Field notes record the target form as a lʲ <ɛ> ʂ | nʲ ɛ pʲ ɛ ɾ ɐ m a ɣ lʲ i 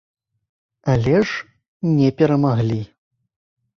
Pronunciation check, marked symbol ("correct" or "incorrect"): correct